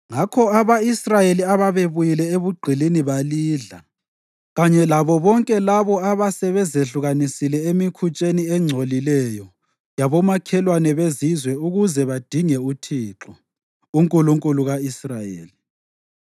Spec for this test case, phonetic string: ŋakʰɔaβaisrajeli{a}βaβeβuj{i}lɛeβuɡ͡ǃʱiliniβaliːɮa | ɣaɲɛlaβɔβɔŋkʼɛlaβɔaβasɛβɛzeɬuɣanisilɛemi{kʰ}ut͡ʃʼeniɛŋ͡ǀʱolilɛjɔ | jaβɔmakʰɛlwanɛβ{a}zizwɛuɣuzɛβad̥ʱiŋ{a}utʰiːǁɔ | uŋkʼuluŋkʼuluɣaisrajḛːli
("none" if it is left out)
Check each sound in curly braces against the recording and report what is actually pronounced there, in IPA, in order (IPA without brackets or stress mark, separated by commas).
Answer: a, i, kʰ, e, ɛ